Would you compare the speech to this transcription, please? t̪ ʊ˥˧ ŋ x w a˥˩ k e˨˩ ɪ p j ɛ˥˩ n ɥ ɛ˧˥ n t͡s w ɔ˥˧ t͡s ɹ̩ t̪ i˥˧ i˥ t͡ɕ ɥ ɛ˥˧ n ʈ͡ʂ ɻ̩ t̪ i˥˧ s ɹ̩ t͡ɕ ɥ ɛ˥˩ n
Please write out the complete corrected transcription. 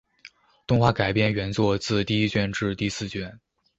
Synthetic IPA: t̪ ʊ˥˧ ŋ x w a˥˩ k a˨˩ ɪ p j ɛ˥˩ n ɥ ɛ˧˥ n t͡s w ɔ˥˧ t͡s ɹ̩ t̪ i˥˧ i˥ t͡ɕ ɥ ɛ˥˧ n ʈ͡ʂ ɻ̩ t̪ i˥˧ s ɹ̩ t͡ɕ ɥ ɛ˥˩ n